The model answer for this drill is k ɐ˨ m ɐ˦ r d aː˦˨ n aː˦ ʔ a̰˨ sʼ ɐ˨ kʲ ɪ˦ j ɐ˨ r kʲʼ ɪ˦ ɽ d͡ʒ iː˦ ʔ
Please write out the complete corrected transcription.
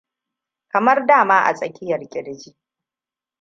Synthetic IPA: k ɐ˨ m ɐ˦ r d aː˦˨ m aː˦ ʔ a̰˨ sʼ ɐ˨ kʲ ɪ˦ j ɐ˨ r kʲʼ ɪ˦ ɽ d͡ʒ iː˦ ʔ